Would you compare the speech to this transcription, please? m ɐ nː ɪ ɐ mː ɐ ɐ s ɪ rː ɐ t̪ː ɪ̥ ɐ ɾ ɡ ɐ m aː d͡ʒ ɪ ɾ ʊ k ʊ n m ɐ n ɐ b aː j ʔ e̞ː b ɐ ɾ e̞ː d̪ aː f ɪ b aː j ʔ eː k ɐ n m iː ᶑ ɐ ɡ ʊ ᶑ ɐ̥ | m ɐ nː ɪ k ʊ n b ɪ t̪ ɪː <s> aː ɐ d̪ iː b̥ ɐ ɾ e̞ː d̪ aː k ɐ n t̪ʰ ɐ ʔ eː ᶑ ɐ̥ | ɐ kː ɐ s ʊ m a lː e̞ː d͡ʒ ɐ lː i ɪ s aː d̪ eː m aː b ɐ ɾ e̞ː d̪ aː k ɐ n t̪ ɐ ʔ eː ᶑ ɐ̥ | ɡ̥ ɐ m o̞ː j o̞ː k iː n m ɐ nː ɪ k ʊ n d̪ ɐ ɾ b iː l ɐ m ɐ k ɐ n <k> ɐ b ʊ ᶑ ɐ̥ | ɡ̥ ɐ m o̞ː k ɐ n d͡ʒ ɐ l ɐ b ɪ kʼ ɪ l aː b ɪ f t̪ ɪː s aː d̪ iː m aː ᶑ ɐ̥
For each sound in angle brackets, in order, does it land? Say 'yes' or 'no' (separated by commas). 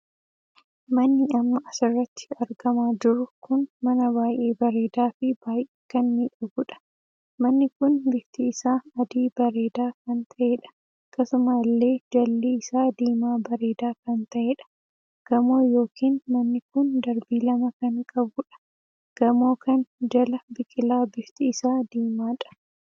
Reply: yes, no